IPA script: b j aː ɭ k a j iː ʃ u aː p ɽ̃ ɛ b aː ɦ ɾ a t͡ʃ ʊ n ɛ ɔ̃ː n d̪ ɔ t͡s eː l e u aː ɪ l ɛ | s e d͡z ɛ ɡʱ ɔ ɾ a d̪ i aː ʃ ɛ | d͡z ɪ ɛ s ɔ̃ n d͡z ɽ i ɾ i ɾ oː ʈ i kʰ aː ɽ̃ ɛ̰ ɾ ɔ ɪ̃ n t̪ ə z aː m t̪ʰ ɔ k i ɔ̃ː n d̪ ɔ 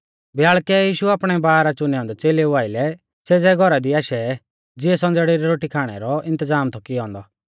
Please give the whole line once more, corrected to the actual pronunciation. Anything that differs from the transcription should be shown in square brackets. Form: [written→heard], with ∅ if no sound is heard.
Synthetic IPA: b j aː ɭ k [a→ɛ] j iː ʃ u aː p ɽ̃ ɛ b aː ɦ ɾ a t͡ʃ ʊ n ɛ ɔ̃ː n d̪ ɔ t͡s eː l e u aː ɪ l ɛ | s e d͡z ɛ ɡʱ ɔ ɾ a d̪ i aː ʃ ɛ | d͡z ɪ ɛ s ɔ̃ n d͡z ɽ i ɾ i ɾ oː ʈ i kʰ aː ɽ̃ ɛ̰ ɾ ɔ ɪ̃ n t̪ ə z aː m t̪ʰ ɔ k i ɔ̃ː n d̪ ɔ